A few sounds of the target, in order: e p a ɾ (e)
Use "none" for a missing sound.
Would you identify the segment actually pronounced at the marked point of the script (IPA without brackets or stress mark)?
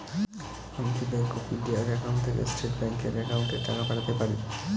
i